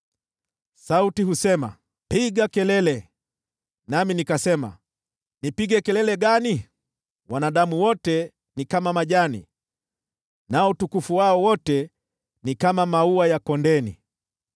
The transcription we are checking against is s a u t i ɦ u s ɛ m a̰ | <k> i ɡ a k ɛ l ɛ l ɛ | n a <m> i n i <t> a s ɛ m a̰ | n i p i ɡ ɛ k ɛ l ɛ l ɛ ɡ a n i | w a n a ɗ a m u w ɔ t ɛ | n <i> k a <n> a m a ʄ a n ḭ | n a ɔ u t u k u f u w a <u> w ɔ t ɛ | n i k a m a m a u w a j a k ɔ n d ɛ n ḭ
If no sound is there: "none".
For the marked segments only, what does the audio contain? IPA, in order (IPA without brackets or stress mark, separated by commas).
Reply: p, m, k, i, m, ɔ